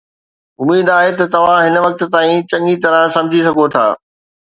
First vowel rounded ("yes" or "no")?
yes